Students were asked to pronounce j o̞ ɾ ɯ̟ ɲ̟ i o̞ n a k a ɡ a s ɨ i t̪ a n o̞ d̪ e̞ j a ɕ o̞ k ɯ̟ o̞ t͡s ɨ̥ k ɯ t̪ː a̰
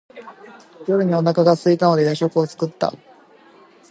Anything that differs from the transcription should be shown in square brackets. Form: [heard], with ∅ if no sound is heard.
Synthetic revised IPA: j o̞ ɾ ɯ̟ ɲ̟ i o̞ n a k a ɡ a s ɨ i t̪ a n o̞ d̪ e̞ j a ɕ o̞ k ɯ̟ o̞ t͡s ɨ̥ k ɯ t̪ː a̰